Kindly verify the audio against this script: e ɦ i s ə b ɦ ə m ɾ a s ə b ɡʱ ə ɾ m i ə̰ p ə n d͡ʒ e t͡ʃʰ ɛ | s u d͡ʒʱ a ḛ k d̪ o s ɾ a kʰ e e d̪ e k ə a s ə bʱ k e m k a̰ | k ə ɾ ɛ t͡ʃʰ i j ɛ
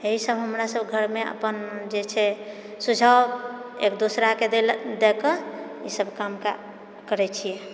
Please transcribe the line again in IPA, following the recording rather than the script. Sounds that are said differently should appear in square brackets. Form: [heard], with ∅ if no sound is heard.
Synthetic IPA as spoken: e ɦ i s ə b ɦ ə m ɾ a s ə b ɡʱ ə ɾ m [e] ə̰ p ə n d͡ʒ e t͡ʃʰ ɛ | s u d͡ʒʱ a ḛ k d̪ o s ɾ a [k] e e d̪ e k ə [i] s ə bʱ k [a] m k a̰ | k ə ɾ ɛ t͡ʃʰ i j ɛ